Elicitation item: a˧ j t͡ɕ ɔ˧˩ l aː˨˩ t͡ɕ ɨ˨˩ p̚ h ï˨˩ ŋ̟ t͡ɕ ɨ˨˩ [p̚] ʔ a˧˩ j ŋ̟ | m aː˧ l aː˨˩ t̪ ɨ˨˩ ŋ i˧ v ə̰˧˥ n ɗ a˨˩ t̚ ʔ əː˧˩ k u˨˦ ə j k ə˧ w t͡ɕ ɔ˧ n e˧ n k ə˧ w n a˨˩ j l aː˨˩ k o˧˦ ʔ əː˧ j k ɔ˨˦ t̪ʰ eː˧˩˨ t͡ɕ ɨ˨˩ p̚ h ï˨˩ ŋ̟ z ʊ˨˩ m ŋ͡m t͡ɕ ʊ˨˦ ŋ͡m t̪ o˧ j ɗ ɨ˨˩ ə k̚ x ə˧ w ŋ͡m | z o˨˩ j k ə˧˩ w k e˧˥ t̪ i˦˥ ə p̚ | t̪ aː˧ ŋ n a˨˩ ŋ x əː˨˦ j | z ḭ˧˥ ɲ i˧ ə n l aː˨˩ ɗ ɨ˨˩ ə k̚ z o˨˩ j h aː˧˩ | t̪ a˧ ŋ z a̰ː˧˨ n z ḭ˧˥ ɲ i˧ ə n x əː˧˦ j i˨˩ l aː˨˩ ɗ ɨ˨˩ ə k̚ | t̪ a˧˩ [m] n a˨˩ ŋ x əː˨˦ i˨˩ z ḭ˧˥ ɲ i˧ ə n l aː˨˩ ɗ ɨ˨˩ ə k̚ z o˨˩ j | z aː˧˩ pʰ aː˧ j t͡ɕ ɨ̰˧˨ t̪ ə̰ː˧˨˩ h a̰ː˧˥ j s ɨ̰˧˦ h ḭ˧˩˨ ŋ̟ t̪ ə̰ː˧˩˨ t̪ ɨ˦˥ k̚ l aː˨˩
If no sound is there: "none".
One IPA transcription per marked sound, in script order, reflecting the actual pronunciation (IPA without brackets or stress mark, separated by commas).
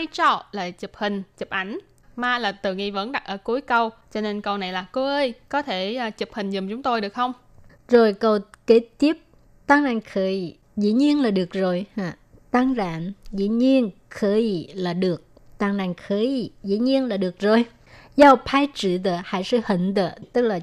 p̚, ŋ